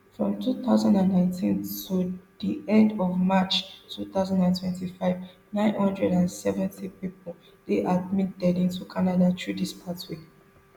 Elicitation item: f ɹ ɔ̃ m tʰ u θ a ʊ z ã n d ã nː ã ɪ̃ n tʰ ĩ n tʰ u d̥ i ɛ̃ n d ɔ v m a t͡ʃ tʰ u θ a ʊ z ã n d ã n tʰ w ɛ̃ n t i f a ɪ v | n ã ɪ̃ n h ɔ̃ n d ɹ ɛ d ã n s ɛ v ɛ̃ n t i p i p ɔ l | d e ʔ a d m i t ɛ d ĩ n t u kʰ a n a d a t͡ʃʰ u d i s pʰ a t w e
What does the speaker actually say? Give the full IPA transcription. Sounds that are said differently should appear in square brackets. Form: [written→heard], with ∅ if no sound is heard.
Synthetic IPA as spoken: f ɹ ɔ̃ m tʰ u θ a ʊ z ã n d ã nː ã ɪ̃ n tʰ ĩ n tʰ u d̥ i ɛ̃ n d ɔ v m a t͡ʃ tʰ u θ a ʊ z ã n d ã n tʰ w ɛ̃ n t i f a ɪ v | n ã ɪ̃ n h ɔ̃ n d ɹ ɛ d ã n s ɛ v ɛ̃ n t i p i p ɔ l | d e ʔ a d m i t ɛ d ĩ n t u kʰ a n a d a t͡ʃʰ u d i s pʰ a t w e